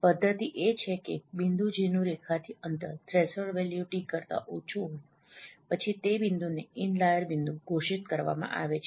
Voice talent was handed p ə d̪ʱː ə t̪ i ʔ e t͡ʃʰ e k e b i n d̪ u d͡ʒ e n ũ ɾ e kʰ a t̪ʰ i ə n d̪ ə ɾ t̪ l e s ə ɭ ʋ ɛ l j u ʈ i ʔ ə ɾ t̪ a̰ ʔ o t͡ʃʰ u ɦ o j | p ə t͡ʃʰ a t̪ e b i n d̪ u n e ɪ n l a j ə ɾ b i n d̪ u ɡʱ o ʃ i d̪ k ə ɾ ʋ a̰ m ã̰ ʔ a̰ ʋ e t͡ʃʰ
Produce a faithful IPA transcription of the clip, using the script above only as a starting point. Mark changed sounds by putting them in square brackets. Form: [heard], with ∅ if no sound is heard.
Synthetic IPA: p ə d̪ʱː ə t̪ i ʔ e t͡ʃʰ e k e b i n d̪ u d͡ʒ e n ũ ɾ e kʰ a t̪ʰ i ə n [t̪] ə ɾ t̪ [ɾ] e s ə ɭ ʋ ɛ l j u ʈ i [k] ə ɾ t̪ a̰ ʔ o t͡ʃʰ u ɦ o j | p ə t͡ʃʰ [i] t̪ e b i n d̪ u n e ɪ n l a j ə ɾ b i n d̪ u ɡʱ o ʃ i [t̪] k ə ɾ ʋ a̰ m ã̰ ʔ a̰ ʋ e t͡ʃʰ